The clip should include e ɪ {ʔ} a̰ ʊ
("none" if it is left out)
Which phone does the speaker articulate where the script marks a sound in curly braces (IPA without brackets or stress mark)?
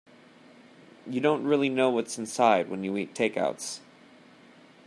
k